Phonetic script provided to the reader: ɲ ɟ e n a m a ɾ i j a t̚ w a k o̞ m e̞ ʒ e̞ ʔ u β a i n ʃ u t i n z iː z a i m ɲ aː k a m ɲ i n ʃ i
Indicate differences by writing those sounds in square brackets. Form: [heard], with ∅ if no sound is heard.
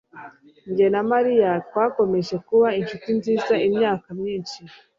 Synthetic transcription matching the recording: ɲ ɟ e n a m a ɾ i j a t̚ w a k o̞ m e̞ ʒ e̞ [k] u β a i n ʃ u t i n z iː z a i m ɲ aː k a m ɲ [iː] n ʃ i